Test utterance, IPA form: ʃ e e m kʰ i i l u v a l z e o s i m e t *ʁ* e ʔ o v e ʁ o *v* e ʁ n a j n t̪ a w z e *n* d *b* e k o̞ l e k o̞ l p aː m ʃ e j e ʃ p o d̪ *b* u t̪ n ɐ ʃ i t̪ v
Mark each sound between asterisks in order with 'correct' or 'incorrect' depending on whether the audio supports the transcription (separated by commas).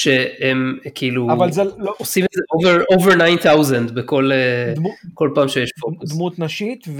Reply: incorrect, correct, correct, correct, incorrect